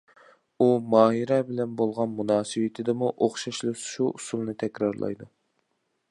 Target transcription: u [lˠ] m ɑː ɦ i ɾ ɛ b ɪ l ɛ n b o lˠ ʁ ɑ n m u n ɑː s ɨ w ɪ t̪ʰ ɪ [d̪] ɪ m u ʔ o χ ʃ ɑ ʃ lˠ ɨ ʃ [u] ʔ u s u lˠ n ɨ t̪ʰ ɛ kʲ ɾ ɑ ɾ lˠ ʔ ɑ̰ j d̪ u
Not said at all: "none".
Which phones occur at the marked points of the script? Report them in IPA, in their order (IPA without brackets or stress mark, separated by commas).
none, d̪, u